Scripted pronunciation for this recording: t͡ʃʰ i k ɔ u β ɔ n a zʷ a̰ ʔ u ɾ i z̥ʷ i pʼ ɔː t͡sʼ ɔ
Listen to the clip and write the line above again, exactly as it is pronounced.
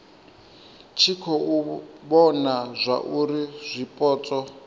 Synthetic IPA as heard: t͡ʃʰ i kʰ ɔ u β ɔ n a zʷ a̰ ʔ u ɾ i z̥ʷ i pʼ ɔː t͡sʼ ɔ